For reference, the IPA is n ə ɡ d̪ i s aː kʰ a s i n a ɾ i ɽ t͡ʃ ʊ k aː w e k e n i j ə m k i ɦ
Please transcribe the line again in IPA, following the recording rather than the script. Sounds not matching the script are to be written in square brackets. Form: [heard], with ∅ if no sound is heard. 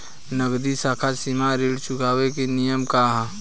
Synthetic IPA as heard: n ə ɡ d̪ i s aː kʰ a s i [m] a ɾ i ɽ t͡ʃ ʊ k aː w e k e n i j ə m k [a] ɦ